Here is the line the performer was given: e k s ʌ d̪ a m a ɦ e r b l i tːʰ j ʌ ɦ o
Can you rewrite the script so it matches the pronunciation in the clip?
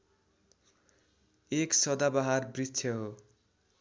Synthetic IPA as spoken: e k s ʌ d̪ a b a ɦ a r b r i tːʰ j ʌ ɦ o

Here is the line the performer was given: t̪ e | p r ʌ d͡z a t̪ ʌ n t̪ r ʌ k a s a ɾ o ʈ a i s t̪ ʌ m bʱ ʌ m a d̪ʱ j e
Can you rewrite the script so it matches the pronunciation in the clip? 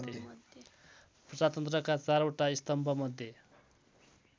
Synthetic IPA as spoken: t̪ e | p r ʌ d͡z a t̪ ʌ n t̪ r ʌ k a t͡s a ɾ o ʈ a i s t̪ ʌ m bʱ ʌ m ʌ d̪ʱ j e

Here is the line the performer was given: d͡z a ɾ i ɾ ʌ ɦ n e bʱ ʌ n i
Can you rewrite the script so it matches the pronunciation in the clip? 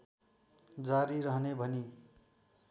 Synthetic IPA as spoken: d͡z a ɾ i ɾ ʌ ɦ n e bʱ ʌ n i

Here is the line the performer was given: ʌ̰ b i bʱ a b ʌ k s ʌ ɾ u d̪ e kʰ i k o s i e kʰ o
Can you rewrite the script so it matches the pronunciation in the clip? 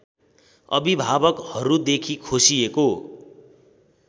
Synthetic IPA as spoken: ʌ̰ b i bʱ a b ʌ k h ʌ ɾ u d̪ e kʰ i kʰ o s i e k o

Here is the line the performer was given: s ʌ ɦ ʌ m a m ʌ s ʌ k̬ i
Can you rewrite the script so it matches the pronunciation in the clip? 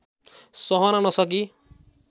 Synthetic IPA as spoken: s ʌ ɦ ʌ n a n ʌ s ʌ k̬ i

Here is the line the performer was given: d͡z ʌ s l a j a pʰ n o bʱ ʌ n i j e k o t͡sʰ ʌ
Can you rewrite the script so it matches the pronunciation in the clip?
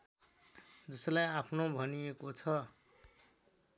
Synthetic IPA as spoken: d͡z ʌ s l a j a pʰ n o bʱ ʌ n i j e k o t͡sʰ ʌ

